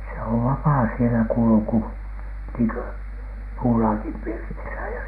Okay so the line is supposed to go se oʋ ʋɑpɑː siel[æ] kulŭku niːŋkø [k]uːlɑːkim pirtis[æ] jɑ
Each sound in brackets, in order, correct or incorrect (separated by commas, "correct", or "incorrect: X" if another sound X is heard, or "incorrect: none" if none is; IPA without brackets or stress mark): correct, incorrect: p, correct